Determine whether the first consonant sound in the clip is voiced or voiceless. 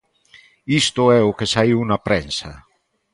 voiceless